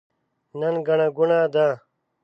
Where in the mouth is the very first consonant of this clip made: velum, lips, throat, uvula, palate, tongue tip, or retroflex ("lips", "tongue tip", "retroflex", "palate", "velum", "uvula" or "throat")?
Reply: tongue tip